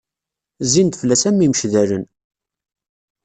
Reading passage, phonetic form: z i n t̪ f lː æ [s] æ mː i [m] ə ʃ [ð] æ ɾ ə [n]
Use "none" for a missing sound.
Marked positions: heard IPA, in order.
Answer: s, m, ð, n

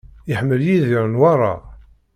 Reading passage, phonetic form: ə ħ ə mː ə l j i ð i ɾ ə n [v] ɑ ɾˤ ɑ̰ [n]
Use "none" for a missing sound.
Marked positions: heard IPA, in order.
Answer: w, none

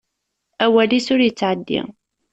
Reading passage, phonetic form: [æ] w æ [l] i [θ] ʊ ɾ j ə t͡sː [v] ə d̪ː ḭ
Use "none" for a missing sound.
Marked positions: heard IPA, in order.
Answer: æ, l, s, ʕ

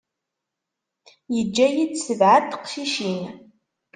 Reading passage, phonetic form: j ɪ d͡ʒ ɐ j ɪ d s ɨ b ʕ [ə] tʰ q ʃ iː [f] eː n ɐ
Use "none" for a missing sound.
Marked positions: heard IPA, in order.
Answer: a, ʃ

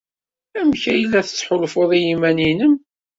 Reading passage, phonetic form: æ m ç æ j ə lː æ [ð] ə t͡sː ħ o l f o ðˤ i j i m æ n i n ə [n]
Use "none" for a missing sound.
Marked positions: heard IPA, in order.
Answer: θ, m

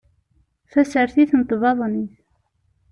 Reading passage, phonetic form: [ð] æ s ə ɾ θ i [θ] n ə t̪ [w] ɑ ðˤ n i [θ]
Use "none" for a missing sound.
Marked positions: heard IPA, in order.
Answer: θ, θ, v, θ

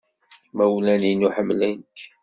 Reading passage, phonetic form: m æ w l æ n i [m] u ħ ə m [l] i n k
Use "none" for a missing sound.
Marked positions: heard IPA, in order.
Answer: n, l

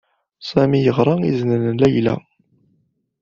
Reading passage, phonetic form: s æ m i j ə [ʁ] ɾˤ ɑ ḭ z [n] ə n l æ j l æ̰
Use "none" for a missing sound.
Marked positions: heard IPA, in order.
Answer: ʁ, n

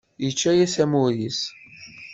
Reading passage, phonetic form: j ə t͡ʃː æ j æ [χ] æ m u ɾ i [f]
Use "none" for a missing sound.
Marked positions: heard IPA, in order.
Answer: s, s

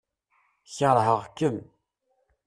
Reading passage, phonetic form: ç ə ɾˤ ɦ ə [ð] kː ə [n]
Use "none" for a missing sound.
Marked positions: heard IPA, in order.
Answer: ʁ, m

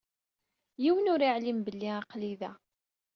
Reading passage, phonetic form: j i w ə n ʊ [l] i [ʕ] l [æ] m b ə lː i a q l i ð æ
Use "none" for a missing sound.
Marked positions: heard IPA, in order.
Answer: ɾ, ʕ, i

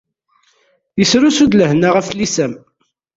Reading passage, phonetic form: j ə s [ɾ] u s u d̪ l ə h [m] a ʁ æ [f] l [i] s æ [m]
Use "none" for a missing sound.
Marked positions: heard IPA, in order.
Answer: ɾ, n, f, i, m

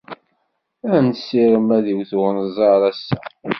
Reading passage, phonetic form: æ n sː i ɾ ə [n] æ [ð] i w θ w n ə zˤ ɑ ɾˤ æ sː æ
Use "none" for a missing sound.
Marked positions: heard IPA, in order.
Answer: m, ð

